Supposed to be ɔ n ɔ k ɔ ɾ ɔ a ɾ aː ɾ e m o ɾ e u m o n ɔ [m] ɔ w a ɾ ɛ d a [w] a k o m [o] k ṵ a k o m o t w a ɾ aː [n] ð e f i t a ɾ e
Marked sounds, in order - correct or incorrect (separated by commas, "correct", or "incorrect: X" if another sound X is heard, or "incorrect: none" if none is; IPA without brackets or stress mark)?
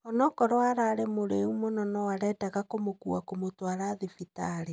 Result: incorrect: n, incorrect: ɣ, correct, incorrect: none